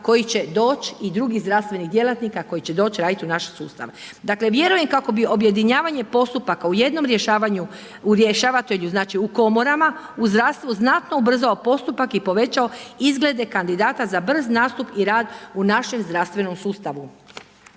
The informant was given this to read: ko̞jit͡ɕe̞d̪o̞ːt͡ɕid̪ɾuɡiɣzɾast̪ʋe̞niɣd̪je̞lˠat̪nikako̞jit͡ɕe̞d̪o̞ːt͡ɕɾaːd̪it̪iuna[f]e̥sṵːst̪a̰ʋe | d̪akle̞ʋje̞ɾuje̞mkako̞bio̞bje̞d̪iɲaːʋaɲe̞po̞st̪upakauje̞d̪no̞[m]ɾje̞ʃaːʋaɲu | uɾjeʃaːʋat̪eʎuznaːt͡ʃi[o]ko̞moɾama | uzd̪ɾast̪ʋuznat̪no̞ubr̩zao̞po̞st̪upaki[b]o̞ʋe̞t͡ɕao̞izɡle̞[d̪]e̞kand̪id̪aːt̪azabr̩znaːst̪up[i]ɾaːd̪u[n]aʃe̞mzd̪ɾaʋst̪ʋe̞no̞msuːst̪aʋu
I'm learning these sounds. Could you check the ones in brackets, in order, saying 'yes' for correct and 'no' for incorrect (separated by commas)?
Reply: no, yes, no, no, yes, yes, yes